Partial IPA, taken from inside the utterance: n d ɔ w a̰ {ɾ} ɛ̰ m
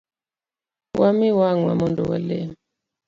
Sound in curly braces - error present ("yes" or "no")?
yes